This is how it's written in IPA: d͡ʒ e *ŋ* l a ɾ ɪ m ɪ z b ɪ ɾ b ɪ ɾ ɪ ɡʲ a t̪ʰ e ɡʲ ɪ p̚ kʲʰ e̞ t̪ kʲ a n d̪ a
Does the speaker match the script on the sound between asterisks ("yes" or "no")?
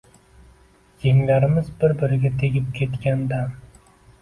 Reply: yes